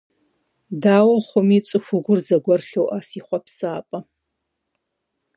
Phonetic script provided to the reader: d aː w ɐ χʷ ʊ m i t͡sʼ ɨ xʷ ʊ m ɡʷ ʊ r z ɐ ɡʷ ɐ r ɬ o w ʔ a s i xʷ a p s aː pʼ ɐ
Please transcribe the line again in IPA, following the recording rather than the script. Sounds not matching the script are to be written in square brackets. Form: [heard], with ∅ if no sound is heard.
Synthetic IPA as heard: d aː w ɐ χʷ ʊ m i t͡sʼ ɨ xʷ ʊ [∅] ɡʷ ʊ r z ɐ ɡʷ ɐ r ɬ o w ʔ a s i [χʷ] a p s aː pʼ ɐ